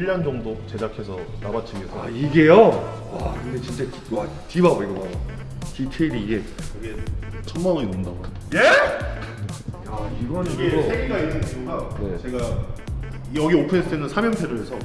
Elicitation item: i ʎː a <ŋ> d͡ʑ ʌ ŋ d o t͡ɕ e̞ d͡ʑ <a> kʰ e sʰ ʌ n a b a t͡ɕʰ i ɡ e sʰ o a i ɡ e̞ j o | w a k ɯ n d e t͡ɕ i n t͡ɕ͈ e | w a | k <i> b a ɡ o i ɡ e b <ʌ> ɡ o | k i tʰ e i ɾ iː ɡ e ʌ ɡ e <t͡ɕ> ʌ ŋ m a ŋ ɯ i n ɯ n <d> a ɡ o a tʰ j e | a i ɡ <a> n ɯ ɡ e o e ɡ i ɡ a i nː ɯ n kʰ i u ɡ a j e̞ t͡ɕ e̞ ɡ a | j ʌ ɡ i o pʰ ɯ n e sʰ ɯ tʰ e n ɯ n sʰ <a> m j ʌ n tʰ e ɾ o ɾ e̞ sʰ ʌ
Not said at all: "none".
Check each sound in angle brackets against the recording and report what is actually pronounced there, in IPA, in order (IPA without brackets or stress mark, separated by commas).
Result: n, a, i, a, t͡ɕʰ, d, ʌ, a